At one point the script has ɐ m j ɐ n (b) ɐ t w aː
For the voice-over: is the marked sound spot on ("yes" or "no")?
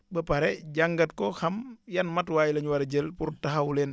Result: no